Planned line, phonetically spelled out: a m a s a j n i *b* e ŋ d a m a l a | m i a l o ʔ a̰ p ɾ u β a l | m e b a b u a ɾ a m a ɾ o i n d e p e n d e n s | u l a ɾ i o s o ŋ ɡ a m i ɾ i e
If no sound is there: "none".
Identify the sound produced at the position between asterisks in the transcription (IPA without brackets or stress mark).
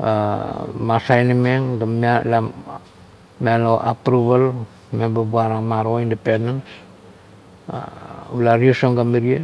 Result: m